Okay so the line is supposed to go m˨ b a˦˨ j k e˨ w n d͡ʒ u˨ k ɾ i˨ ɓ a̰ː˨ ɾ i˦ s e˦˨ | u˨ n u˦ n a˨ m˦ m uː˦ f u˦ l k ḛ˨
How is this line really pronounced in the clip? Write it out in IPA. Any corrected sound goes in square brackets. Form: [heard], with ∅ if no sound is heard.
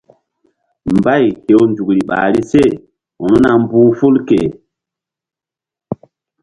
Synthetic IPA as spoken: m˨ b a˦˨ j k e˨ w n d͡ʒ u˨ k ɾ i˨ ɓ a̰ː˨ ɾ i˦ s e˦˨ | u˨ n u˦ n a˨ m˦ [b] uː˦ f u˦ l k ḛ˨